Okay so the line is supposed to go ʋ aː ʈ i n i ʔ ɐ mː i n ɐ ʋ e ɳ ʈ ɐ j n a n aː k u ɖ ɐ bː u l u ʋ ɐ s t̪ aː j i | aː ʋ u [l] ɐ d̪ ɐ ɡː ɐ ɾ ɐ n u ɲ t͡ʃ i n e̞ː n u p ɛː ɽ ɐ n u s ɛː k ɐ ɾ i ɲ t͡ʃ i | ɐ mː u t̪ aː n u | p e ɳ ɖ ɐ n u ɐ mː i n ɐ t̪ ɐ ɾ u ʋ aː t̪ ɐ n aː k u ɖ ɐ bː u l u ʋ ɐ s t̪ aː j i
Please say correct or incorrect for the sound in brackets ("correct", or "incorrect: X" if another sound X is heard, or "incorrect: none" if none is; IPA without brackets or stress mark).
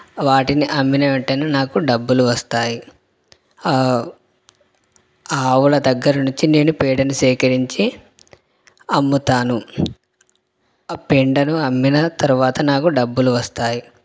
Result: correct